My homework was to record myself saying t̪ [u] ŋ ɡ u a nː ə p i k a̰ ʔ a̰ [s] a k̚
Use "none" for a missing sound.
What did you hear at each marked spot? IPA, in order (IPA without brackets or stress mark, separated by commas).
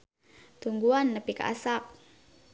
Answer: u, s